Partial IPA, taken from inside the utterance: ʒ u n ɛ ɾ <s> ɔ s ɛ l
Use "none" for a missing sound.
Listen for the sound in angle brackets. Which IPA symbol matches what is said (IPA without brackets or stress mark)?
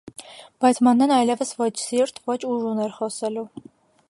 χ